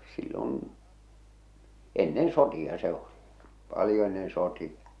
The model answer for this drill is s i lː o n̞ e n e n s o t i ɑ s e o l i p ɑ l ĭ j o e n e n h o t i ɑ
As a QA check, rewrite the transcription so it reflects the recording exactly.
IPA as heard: s i lː o n̞ e nː e n s o t i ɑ s e o l i p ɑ l ĭ j o e nː e n s o t i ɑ